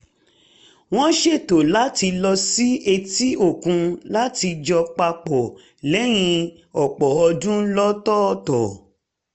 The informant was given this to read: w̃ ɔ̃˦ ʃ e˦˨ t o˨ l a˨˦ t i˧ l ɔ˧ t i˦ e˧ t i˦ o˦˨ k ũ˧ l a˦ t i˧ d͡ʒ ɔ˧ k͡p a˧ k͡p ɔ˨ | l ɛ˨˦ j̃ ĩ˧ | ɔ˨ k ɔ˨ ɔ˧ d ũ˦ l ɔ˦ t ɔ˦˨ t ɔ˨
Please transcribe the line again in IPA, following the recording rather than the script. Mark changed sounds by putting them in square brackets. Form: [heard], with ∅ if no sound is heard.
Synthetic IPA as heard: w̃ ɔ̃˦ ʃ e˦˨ t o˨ l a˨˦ t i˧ l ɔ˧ [s] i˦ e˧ t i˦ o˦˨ k ũ˧ l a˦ t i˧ d͡ʒ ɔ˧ k͡p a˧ k͡p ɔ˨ | l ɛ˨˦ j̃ ĩ˧ | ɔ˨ [k͡p] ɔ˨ ɔ˧ d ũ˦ l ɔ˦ t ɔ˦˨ t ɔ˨

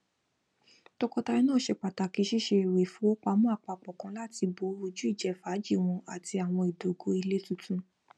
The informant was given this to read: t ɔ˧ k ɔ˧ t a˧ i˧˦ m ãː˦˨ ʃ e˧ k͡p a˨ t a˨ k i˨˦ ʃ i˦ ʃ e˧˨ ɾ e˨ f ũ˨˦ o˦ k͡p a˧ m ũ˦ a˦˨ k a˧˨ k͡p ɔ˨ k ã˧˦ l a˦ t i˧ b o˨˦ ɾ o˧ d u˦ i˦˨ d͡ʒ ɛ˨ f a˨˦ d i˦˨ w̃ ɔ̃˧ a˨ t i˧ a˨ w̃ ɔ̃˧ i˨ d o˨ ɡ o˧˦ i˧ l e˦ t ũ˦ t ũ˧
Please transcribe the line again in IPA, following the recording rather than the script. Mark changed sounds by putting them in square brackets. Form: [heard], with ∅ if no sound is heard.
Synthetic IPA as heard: t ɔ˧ k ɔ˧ t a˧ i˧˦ [n] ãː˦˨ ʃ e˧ k͡p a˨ t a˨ k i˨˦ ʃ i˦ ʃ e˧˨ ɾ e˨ f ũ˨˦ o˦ k͡p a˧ m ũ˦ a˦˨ [k͡p] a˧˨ k͡p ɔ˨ k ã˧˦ l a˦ t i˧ b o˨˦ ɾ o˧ [d͡ʒ] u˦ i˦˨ d͡ʒ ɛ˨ f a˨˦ [d͡ʒ] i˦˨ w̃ ɔ̃˧ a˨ t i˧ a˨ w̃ ɔ̃˧ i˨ d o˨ ɡ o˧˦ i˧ l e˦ t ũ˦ t ũ˧

